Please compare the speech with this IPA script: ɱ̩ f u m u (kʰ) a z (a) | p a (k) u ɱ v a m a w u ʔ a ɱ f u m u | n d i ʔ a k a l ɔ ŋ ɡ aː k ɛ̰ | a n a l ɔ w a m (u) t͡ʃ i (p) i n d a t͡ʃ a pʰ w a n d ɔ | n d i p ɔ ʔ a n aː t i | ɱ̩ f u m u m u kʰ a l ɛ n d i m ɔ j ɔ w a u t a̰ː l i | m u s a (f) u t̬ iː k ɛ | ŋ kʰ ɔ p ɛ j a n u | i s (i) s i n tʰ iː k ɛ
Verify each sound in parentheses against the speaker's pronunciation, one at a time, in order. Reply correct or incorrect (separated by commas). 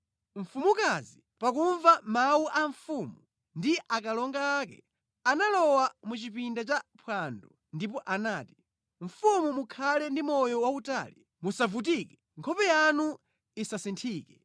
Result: incorrect, incorrect, correct, correct, correct, incorrect, incorrect